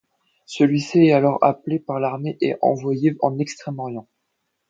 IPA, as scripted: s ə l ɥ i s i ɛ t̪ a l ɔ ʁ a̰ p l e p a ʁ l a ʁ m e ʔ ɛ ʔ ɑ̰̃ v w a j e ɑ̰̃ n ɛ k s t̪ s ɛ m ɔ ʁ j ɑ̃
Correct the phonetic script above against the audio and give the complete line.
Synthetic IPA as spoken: s ə l ɥ i s i ɛ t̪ a l ɔ ʁ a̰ p l e p a ʁ l a ʁ m e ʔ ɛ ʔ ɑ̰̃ v w a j e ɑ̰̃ n ɛ k s t̪ χ ɛ m ɔ ʁ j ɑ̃